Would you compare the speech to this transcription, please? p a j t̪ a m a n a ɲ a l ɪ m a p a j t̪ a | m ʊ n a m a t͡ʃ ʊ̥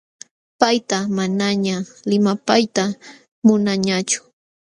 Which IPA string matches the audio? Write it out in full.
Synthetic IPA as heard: p a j t̪ a m a n a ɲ a l ɪ m a p a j t̪ a | m ʊ n a ɲ a t͡ʃ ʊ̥